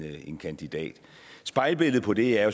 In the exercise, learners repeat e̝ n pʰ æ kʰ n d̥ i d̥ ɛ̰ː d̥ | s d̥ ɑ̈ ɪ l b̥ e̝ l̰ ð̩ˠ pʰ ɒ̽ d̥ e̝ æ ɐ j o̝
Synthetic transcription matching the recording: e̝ n kʰ æ n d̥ i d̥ ɛ̰ː d̥ | s b̥ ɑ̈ ɪ l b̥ e̝ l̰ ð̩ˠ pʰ ɒ̽ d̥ e̝ æ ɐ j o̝